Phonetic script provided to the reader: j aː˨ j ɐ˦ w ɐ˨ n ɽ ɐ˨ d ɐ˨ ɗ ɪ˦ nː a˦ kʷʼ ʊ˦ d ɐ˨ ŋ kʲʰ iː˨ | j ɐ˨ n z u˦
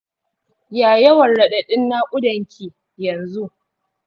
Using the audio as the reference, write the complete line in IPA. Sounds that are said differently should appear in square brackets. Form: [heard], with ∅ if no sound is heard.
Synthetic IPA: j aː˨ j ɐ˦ w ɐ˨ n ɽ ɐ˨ [ɗ] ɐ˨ ɗ ɪ˦ nː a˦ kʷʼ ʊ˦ d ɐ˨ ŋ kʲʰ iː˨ | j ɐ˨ n z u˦